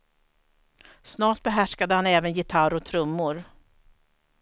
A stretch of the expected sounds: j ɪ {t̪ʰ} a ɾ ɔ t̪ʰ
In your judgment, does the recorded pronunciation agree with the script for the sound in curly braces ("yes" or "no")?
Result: yes